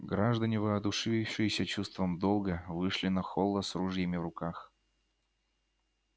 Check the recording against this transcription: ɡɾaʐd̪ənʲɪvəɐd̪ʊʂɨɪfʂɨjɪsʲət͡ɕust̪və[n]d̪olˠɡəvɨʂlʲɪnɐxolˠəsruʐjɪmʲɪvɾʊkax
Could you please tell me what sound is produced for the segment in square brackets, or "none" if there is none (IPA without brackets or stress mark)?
m